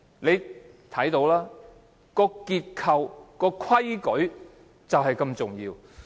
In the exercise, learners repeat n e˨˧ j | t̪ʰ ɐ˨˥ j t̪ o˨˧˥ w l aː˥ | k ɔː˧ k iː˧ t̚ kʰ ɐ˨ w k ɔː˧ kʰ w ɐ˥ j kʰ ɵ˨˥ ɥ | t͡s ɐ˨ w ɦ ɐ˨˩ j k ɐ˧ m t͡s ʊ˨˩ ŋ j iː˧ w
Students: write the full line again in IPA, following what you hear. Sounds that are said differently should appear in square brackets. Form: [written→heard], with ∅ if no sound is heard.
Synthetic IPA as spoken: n e˨˧ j | t̪ʰ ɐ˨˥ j t̪ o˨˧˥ w l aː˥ | k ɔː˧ k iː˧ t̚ kʰ ɐ˨ w k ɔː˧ kʰ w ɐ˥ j [kʰ→k] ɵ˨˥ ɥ | t͡s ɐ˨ w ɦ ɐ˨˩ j k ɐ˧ m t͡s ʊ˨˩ ŋ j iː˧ w